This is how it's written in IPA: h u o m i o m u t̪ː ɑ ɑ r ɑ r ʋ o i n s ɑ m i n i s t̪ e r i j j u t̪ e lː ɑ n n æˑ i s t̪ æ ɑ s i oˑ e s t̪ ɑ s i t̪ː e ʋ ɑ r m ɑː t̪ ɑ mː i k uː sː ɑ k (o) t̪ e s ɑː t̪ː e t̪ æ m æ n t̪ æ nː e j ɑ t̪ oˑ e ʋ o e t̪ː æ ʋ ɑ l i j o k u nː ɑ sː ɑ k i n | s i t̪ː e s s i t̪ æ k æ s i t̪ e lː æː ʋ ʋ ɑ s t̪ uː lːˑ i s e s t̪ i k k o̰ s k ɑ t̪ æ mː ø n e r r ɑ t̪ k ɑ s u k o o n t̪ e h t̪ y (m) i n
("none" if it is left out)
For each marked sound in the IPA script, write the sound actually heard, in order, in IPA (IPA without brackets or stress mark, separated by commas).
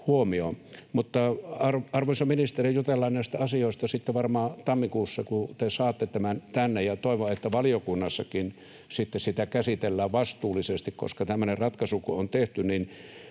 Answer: u, n